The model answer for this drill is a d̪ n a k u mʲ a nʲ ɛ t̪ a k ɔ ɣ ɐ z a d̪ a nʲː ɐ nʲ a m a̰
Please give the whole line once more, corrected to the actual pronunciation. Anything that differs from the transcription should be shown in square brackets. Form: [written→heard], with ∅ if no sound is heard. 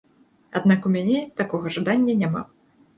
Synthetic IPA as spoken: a d̪ n a k u mʲ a nʲ ɛ t̪ a k ɔ ɣ ɐ [z→ʐ] a d̪ a nʲː ɐ nʲ a m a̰